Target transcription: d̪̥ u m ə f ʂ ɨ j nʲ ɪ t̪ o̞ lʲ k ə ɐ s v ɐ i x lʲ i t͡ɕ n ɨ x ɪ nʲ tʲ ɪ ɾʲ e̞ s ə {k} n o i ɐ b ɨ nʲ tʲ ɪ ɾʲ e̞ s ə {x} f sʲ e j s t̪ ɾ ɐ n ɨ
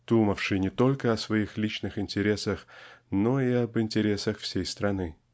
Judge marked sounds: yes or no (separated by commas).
no, yes